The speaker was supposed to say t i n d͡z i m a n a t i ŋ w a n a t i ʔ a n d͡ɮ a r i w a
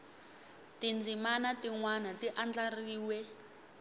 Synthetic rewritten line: t i n d͡z i m a n a t i ŋ w a n a t i ʔ a n d͡ɮ a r iː w ɛ

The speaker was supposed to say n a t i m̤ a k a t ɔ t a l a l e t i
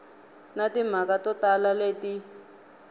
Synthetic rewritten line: n a t i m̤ a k a t ɔ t a l a l e t i

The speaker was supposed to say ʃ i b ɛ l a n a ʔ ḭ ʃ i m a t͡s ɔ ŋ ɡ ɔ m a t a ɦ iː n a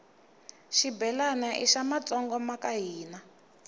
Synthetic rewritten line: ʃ i b ɛ l a n a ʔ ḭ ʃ a m a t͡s ɔ ŋ ɡ ɔ m a k a ɦ iː n a

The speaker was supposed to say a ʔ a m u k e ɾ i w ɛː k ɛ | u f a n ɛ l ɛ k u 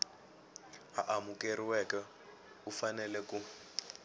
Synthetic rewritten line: a ʔ a m u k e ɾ i w ɛ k ɛ | u f a n ɛ l ɛ k u

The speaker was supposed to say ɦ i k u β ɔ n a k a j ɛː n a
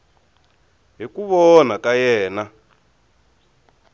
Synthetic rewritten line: ɦ i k u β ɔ n a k a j ɛː n a

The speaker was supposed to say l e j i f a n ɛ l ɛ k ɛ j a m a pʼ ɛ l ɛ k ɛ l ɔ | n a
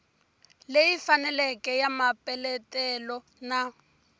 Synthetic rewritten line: l e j i f a n ɛ l ɛ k ɛ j a m a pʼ ɛ l ɛ t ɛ l ɔ | n a

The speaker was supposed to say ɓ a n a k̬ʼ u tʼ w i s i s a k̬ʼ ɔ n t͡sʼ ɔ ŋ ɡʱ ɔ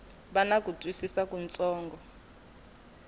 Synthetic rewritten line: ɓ a n a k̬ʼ u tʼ w i s i s a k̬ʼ u n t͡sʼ ɔː ŋ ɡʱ ɔ

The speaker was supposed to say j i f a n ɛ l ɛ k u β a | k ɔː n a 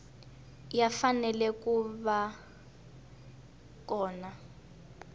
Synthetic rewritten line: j a f a n ɛ l ɛ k u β a | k ɔː n a

